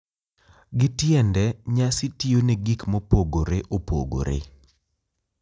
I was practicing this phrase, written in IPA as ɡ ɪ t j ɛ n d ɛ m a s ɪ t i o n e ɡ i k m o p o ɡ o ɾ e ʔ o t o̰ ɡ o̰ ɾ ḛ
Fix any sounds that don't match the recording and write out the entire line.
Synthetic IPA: ɡ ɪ t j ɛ n d ɛ ɲ a s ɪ t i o n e ɡ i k m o p o ɡ o ɾ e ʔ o p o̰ ɡ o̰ ɾ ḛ